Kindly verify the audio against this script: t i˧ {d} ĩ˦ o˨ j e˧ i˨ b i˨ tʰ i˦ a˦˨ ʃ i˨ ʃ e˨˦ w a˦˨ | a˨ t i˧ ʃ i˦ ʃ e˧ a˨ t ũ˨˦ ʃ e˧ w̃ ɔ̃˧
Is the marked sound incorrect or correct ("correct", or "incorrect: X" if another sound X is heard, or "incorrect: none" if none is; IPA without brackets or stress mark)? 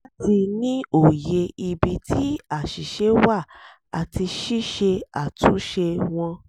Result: incorrect: n